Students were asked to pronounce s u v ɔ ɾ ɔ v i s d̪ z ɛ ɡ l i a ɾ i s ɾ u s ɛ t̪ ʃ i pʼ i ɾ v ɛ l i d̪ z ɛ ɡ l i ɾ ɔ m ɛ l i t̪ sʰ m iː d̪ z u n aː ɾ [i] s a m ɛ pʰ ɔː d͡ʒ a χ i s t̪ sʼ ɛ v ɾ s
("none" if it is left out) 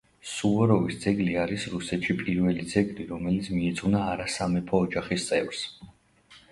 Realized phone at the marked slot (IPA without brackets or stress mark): a